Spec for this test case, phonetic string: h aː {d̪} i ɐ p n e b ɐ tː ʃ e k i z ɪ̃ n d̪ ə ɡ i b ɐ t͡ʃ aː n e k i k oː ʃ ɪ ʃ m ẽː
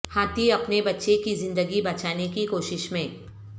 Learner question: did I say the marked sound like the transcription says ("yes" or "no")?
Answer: no